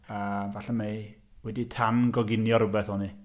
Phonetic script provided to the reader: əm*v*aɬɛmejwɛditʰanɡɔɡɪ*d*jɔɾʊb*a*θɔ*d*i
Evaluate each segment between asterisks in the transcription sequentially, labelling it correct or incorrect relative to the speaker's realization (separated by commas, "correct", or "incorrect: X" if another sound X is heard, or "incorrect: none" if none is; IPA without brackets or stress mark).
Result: correct, incorrect: n, incorrect: ɛ, incorrect: n